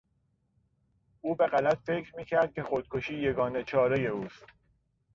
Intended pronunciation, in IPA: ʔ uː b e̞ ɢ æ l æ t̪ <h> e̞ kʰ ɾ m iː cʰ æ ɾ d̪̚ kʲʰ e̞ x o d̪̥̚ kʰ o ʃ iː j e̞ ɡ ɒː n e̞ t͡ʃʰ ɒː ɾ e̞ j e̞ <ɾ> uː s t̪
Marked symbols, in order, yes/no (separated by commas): no, no